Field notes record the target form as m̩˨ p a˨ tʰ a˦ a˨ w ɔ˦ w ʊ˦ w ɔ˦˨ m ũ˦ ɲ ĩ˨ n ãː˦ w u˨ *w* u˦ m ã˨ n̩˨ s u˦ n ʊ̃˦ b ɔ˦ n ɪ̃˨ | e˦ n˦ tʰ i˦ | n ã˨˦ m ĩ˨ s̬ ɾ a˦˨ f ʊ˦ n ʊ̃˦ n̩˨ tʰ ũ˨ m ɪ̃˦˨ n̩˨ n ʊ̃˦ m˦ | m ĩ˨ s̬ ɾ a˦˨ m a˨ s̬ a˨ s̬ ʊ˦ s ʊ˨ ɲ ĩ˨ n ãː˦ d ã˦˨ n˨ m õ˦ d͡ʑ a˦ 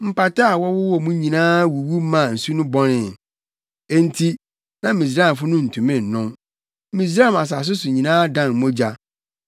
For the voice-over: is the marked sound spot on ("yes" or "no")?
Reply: yes